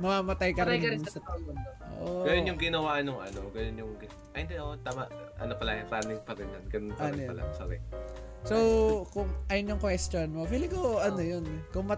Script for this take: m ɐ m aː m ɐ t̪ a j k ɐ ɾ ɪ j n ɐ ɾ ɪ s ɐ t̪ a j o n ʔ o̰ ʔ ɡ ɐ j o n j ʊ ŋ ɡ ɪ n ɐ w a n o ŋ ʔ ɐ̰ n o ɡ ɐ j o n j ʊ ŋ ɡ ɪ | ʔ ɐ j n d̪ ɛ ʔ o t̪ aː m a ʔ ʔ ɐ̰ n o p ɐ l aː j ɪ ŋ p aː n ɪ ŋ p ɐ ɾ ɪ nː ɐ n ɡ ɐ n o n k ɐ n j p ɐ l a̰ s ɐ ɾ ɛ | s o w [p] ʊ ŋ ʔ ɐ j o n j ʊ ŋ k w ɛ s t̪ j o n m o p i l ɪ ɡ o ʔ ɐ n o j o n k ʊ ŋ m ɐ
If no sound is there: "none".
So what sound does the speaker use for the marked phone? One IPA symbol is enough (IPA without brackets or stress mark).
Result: k